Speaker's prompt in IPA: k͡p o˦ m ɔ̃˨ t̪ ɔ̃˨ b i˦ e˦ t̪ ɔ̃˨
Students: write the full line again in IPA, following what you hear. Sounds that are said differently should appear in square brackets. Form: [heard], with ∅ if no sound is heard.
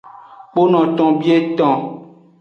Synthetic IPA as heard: k͡p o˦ [n] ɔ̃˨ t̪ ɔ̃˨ b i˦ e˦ t̪ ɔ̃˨